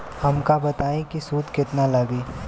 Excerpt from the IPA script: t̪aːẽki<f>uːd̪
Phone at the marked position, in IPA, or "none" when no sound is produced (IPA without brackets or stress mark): s